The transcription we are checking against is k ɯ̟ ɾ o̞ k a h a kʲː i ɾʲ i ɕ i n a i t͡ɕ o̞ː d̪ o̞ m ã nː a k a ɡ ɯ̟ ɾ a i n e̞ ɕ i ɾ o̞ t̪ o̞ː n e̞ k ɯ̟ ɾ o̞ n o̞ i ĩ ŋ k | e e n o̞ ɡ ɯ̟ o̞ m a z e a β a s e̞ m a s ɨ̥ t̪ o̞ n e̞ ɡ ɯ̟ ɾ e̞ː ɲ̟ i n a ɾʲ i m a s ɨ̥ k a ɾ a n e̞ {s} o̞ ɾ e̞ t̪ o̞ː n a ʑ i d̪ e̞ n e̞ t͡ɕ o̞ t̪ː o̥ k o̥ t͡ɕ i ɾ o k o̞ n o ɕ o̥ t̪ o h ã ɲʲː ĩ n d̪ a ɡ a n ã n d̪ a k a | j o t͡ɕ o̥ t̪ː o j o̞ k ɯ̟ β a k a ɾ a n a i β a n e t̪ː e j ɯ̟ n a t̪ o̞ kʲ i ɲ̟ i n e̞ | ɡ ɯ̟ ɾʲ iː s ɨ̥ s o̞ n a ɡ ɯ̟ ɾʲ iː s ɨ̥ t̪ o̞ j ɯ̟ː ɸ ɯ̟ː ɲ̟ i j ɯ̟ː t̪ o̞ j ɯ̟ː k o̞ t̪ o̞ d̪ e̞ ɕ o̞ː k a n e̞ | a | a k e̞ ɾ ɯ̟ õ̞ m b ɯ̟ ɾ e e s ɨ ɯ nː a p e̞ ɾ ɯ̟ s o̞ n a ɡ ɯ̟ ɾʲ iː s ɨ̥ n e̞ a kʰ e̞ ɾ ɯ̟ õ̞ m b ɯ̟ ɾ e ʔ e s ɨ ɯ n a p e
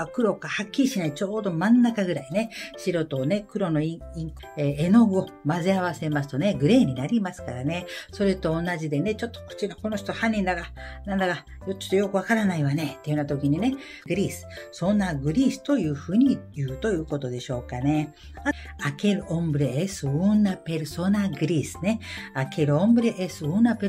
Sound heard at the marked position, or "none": s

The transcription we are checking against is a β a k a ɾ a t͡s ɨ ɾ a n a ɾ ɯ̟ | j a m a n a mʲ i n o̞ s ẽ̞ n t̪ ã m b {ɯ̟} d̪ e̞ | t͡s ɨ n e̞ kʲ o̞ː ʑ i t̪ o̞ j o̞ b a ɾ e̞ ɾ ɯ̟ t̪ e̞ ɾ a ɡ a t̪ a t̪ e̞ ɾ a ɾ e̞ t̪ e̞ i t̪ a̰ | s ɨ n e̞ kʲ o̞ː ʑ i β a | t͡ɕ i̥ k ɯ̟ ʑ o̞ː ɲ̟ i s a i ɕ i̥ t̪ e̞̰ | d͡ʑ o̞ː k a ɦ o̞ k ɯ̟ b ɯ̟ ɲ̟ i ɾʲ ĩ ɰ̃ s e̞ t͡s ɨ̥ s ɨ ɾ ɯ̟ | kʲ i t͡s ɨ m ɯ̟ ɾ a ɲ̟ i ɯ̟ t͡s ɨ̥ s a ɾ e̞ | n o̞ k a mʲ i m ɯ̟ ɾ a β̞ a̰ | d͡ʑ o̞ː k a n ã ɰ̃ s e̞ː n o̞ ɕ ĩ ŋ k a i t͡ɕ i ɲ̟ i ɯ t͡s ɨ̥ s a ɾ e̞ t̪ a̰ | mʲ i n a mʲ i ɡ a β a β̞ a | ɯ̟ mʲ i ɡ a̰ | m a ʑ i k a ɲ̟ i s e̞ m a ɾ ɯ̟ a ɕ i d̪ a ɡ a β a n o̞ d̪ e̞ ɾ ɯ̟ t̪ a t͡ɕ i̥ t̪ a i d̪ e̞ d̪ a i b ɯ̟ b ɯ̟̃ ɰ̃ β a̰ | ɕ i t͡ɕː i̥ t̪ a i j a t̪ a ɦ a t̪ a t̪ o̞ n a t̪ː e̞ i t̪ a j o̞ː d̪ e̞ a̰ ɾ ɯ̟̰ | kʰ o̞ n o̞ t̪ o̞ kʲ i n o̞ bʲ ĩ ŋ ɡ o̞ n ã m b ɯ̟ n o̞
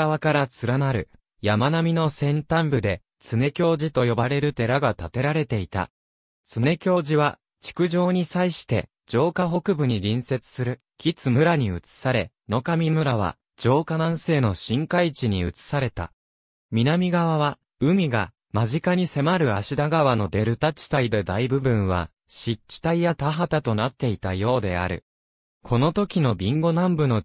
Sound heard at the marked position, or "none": ɯ̟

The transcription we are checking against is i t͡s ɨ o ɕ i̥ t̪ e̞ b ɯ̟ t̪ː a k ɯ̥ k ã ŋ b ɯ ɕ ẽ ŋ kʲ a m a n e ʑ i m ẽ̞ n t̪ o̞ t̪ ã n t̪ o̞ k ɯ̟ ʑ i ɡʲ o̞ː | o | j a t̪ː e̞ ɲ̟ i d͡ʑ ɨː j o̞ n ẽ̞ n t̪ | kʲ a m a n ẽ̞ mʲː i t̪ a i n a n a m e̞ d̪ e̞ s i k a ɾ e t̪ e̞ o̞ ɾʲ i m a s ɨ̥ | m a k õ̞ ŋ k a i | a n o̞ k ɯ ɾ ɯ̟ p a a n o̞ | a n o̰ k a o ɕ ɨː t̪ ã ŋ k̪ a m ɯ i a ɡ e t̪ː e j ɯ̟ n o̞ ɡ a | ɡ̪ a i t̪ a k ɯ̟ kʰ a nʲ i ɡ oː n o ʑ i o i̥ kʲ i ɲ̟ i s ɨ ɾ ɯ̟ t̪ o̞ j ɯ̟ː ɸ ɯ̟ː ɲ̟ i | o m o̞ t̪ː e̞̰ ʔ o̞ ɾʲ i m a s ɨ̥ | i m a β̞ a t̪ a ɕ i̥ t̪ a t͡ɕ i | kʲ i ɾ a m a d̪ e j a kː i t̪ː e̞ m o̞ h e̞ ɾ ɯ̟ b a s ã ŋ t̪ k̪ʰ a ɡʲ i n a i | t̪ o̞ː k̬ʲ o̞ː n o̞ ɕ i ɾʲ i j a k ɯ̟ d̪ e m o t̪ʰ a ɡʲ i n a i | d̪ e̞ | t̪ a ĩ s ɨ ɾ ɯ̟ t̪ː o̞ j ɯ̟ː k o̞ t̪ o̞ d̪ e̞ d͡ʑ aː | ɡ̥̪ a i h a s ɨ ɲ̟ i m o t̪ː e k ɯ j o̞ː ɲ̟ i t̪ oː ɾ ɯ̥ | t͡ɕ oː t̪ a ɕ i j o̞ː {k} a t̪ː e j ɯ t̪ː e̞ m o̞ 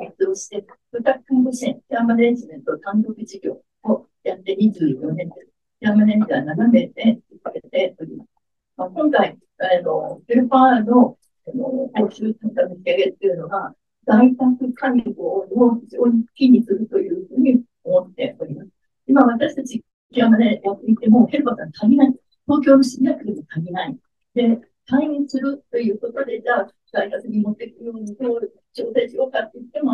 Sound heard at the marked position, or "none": k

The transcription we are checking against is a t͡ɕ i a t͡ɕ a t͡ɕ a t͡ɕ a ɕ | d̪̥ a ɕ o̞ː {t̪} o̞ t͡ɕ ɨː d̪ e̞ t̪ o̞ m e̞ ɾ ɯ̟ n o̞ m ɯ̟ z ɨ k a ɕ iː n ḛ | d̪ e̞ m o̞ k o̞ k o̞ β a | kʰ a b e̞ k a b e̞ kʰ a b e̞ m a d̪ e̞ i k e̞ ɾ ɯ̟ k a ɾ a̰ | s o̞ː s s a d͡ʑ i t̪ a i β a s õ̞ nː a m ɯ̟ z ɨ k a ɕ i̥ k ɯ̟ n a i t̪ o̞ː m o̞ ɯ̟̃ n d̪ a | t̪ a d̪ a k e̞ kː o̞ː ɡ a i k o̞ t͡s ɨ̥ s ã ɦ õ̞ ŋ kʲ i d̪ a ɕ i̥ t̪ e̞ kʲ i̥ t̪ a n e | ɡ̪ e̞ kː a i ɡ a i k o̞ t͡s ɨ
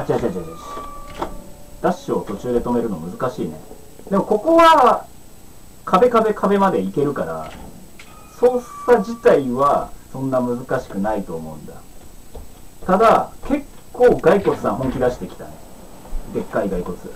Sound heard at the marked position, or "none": t̪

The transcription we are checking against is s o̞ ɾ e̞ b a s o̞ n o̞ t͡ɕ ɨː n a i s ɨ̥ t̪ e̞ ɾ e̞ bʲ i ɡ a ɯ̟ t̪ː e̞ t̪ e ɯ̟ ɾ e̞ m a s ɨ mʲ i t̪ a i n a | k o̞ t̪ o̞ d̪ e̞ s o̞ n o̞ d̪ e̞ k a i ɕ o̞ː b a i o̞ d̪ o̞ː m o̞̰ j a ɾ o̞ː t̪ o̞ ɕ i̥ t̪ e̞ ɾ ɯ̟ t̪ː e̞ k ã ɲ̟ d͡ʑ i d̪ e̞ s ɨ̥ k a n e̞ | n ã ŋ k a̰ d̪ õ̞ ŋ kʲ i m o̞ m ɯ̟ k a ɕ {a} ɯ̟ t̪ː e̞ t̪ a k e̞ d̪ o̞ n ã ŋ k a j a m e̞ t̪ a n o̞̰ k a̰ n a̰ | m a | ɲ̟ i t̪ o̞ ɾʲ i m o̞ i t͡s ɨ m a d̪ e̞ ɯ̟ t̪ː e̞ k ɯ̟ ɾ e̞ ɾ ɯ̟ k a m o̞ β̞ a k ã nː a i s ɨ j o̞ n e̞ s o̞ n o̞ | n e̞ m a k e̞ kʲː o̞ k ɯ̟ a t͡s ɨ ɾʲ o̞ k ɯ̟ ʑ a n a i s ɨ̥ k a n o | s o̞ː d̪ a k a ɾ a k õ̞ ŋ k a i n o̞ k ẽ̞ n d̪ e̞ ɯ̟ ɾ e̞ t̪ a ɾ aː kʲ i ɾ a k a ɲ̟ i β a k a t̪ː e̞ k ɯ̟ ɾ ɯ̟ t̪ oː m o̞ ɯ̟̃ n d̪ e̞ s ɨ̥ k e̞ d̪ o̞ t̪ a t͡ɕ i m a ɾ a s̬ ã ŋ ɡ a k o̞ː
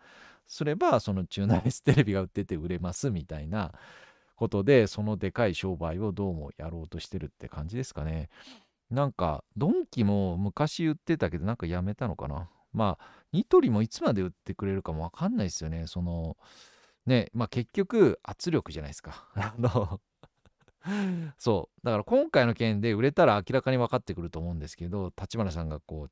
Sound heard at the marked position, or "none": i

